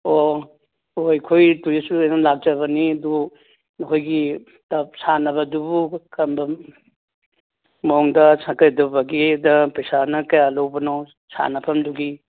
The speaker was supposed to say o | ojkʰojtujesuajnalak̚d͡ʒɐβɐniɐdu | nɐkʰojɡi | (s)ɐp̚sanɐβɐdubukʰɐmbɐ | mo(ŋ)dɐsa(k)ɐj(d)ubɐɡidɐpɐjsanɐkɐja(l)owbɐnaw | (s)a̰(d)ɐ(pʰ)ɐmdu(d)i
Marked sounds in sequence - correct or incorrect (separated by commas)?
incorrect, correct, correct, correct, correct, correct, incorrect, correct, incorrect